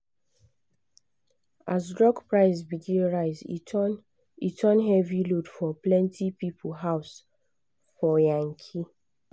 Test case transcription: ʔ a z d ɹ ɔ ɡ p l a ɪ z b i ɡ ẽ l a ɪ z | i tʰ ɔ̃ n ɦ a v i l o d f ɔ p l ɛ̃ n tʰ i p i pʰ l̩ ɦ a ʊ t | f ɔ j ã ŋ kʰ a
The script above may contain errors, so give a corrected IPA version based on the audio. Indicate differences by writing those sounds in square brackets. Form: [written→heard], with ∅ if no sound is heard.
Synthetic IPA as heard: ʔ a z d ɹ ɔ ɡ p [l→ɹ] a ɪ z b i ɡ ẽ [l→ɹ] a ɪ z | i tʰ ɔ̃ n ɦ [a→ɛ] v i l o d f ɔ p l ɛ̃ n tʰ i p i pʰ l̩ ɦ a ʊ [t→s] | f ɔ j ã ŋ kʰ [a→i]